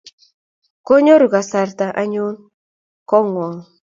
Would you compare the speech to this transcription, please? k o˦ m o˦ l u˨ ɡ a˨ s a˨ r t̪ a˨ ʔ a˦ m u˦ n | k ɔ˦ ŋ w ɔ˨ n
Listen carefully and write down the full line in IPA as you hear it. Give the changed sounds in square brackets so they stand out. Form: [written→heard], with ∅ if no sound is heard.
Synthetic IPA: k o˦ [m→ɲ] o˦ [l→ɾ] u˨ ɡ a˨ s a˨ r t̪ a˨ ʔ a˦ [m→ɲ] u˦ n | k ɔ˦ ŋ w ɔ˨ [n→ŋ]